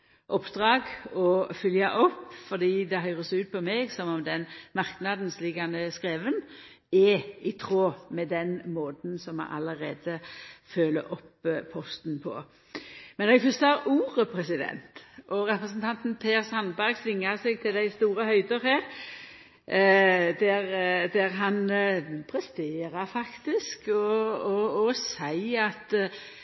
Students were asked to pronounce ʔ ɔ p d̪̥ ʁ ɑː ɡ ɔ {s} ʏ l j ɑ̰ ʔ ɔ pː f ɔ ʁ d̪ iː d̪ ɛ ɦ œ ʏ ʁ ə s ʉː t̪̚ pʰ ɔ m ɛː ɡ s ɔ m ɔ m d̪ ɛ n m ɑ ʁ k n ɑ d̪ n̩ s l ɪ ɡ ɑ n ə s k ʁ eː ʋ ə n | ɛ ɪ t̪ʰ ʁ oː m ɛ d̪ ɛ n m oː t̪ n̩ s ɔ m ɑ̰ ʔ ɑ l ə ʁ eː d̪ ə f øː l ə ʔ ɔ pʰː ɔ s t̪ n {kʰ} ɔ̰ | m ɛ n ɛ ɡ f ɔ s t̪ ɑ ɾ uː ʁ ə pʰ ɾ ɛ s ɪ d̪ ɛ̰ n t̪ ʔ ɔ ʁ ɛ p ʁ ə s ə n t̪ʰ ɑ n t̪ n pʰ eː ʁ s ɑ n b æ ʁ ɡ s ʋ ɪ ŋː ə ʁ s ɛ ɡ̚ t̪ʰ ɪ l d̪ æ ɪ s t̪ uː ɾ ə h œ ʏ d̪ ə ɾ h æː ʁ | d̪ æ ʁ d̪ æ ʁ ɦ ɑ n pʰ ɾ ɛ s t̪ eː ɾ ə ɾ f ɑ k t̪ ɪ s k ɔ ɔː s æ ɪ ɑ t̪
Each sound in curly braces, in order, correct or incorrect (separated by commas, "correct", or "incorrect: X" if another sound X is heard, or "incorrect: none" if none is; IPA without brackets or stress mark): incorrect: f, incorrect: pʰ